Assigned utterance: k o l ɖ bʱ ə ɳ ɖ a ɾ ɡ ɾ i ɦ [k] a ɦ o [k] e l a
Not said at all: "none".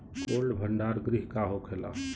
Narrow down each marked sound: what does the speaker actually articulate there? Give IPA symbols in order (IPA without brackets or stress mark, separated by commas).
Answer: k, kʰ